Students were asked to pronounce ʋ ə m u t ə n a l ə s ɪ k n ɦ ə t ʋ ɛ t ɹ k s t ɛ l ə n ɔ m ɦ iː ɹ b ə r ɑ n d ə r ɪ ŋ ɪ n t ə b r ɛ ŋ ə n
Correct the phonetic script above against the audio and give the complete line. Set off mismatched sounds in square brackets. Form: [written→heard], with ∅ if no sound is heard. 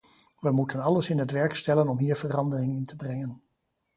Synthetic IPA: ʋ ə m u t ə n [a→ɑ] l ə s ɪ [k→∅] n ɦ ə t ʋ ɛ [t→∅] ɹ k s t ɛ l ə n ɔ m ɦ iː ɹ [b→v] ə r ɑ n d ə r ɪ ŋ ɪ n t ə b r ɛ ŋ ə n